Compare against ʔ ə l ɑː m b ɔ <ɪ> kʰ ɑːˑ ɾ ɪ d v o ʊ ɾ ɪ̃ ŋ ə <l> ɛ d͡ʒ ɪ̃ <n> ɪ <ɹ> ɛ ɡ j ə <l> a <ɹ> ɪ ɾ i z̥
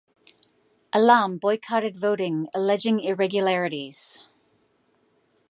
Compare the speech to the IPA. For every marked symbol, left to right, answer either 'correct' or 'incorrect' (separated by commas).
correct, correct, incorrect, correct, correct, correct